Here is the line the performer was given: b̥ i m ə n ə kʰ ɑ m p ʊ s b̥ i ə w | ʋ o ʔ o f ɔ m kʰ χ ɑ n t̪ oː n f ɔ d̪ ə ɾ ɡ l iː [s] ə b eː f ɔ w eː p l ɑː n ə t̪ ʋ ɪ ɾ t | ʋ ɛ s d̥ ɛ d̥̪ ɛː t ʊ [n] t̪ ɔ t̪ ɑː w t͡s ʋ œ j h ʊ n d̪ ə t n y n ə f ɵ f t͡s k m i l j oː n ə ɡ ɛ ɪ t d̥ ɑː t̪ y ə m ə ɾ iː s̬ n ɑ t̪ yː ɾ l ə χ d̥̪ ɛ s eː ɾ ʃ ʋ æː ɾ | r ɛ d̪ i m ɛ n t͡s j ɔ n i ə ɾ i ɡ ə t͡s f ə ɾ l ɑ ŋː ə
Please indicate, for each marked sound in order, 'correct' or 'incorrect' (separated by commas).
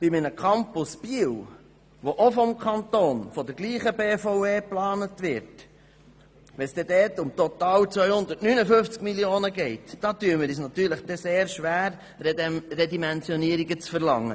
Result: incorrect, incorrect